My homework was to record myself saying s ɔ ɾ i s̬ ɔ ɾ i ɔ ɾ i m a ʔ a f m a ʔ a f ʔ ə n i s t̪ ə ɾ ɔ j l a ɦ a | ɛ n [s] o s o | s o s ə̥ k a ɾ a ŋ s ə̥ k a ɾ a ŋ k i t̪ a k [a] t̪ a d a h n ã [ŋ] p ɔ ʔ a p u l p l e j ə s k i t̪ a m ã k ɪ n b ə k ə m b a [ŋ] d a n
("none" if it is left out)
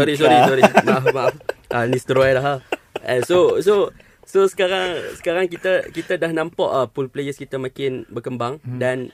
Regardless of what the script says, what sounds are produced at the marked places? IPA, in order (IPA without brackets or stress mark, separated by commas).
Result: s, i, m, ŋ